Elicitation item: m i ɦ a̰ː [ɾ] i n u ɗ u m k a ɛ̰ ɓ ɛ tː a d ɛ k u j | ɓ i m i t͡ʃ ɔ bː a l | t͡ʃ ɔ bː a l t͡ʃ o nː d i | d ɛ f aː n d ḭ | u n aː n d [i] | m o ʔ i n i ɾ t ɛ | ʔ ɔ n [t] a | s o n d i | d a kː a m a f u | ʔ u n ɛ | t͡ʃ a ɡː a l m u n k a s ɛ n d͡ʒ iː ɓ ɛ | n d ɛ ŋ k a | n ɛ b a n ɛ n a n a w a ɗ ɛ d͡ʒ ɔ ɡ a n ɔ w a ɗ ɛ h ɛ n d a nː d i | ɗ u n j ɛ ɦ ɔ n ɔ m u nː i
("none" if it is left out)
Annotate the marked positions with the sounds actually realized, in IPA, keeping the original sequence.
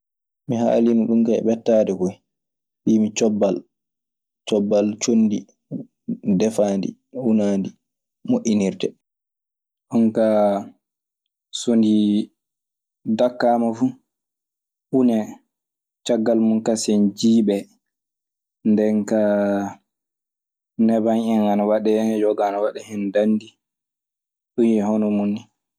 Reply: l, i, k

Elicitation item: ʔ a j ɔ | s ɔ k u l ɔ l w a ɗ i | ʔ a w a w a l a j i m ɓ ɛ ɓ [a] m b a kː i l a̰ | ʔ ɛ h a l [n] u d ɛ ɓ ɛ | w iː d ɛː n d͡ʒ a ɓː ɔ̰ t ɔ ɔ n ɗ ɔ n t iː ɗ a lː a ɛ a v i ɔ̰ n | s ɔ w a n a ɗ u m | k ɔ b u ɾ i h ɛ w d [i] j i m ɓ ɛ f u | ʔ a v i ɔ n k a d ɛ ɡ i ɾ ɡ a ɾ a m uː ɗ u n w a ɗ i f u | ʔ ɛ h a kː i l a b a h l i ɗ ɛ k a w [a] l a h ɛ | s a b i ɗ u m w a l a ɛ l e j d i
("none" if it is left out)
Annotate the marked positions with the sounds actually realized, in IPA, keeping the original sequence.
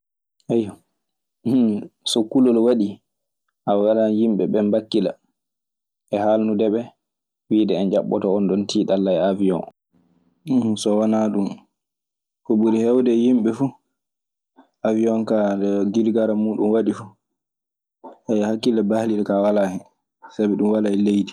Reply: ɛ, n, ɛ, a

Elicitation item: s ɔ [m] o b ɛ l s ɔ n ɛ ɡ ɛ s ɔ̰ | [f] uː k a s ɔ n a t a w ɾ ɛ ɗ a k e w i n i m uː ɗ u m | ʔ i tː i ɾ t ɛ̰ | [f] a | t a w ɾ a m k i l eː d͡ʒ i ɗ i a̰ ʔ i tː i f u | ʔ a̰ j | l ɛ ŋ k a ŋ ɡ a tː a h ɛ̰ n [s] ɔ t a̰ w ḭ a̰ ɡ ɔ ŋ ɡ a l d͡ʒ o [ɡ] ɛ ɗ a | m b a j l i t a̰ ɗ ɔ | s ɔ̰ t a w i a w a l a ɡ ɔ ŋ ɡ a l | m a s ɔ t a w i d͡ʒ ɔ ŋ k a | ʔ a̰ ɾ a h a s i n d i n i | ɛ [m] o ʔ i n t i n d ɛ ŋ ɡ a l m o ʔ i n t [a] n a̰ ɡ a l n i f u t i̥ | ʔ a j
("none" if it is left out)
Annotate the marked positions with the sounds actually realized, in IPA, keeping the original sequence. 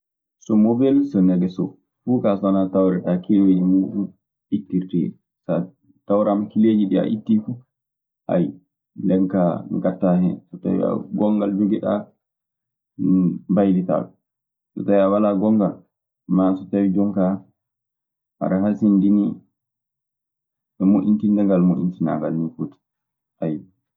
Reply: m, f, s, s, ɡ, m, i

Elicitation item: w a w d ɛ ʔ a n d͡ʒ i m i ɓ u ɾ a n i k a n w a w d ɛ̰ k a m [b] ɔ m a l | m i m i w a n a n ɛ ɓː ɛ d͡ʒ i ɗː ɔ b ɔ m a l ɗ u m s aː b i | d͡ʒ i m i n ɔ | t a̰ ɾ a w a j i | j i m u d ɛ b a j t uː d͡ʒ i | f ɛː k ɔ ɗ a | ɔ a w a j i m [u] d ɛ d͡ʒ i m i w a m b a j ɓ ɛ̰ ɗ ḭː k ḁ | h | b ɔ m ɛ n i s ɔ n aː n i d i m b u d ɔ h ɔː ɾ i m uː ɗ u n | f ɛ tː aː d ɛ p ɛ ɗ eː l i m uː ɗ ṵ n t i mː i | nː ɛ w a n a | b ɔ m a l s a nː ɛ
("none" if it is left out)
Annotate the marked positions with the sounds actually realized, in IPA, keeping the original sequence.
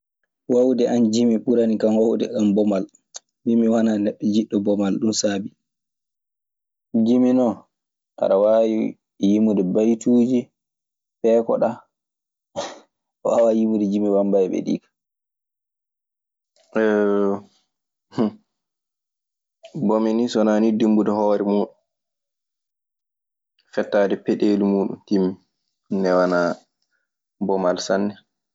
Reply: b, u

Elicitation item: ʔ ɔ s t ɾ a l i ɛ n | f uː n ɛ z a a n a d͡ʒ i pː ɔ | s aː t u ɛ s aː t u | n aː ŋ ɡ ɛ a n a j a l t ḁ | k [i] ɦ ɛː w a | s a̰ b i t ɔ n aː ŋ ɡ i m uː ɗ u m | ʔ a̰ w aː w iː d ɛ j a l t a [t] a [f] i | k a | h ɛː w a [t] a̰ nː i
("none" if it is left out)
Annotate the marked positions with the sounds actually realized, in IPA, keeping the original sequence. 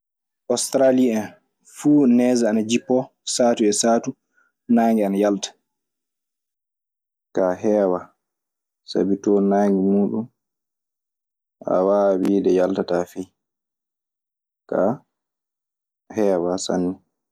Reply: a, t, f, s

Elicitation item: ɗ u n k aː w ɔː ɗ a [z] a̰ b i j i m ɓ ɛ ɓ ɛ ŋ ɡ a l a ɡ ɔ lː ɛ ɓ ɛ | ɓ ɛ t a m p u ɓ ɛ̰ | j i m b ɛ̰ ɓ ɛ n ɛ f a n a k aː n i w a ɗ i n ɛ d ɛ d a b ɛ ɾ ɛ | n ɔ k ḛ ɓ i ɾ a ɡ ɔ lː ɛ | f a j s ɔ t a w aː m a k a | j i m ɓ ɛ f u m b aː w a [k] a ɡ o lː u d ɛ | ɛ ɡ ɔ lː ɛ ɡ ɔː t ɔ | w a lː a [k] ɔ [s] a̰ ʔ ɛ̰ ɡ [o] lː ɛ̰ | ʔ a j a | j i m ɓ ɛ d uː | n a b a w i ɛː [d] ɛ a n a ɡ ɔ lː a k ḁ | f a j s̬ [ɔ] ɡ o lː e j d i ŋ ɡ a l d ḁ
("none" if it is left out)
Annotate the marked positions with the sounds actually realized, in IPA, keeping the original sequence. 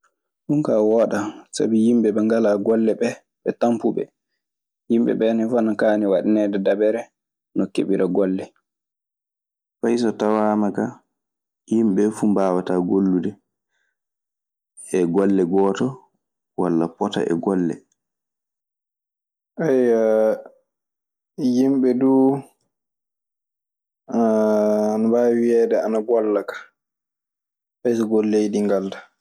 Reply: s, t, p, t, ɔ, d, ɔ

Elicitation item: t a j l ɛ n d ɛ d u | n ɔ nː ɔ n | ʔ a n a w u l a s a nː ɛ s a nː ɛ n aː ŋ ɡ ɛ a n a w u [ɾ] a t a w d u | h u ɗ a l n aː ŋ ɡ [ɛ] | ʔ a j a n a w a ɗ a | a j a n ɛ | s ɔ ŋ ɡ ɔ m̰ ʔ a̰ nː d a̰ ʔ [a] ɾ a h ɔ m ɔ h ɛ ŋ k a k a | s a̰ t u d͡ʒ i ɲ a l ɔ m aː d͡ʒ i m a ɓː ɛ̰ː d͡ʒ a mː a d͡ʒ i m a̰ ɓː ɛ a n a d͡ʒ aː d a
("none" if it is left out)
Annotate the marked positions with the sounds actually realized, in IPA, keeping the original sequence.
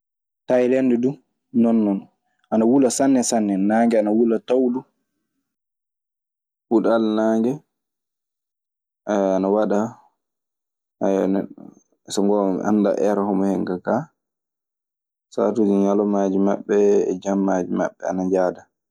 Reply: l, ɛ, ɛ

